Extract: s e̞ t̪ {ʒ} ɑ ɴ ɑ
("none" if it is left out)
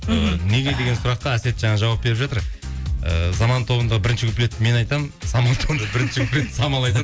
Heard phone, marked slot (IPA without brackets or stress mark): ʒ